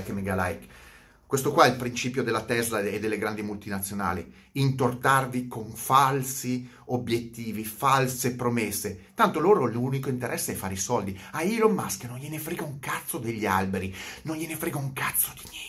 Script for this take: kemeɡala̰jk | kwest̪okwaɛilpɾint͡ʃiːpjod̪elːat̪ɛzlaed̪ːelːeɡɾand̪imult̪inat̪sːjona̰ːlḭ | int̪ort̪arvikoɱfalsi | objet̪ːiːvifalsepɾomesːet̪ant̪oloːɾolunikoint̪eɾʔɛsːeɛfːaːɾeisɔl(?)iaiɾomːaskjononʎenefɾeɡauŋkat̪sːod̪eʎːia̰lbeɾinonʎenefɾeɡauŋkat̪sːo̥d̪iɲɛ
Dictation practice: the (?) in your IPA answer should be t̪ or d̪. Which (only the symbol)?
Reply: d̪